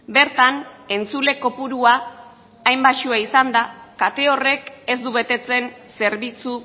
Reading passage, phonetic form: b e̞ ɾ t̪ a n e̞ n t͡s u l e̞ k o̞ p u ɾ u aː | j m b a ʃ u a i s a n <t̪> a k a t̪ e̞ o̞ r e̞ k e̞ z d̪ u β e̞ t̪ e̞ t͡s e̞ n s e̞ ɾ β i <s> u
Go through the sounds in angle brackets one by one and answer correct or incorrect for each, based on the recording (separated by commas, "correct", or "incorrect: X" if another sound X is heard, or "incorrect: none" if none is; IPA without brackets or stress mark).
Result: incorrect: d̪, incorrect: t͡s